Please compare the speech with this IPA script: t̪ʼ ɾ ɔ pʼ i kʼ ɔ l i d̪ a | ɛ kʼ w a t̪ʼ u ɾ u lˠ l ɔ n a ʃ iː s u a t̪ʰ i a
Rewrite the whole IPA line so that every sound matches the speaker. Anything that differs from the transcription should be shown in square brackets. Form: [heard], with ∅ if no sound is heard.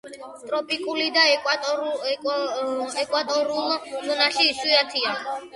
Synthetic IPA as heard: t̪ʼ ɾ ɔ pʼ i kʼ [u] l i d̪ a | ɛ kʼ w a t̪ʼ [ɔ] ɾ u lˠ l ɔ n a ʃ iː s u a t̪ʰ i a